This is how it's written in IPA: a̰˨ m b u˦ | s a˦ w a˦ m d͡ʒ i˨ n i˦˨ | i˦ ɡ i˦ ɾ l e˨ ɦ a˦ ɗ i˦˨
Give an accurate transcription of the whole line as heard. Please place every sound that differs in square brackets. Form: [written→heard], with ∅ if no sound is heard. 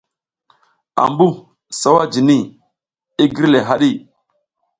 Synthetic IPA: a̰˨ m b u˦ | s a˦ w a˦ [m→∅] d͡ʒ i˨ n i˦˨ | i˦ ɡ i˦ ɾ l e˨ ɦ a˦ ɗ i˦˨

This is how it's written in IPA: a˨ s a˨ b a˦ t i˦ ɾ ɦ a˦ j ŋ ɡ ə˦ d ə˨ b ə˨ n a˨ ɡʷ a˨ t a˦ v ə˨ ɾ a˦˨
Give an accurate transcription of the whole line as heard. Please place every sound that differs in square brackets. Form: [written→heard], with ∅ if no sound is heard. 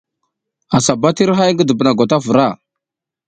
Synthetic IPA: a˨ s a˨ b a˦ t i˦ ɾ ɦ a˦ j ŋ ɡ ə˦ d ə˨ b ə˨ n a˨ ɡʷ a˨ t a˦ v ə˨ ɾ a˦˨

